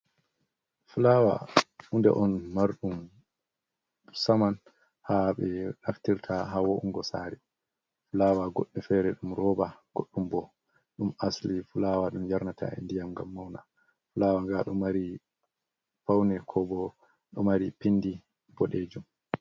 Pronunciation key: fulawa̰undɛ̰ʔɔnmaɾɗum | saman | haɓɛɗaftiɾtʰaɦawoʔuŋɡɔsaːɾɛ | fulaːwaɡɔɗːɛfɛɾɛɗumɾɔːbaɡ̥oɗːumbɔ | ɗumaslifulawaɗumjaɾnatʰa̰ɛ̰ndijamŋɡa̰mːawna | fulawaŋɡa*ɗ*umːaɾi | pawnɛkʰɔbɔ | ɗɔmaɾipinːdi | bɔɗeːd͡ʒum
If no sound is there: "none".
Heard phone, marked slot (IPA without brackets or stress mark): ɗ